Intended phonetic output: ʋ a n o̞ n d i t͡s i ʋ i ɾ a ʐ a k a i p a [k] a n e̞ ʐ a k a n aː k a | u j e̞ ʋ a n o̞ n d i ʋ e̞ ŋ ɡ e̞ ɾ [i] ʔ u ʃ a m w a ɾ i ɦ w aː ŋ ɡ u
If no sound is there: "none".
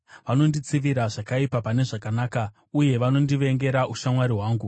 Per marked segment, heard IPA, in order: p, a

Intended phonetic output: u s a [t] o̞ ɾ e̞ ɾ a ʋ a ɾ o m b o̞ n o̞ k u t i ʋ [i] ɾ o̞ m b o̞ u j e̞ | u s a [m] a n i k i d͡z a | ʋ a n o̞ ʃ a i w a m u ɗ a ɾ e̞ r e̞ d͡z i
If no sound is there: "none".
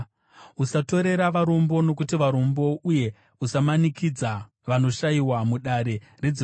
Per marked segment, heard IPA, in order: t, a, m

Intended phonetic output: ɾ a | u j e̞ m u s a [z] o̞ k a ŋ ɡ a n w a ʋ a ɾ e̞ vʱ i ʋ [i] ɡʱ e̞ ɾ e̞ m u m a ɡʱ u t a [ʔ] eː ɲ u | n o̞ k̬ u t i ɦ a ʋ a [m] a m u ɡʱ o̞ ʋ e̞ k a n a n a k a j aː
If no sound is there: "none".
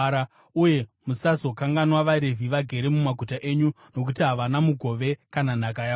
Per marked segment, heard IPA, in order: z, a, ʔ, n

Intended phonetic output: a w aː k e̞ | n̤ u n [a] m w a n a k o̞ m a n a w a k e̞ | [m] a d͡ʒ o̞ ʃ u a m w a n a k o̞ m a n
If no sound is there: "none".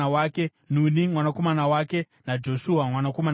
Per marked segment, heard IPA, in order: i, n

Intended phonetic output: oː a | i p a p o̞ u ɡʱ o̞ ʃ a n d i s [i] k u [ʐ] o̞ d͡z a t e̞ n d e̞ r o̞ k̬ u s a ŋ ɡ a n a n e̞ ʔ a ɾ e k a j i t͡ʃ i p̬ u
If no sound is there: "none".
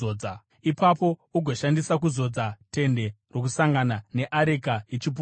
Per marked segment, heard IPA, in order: a, z

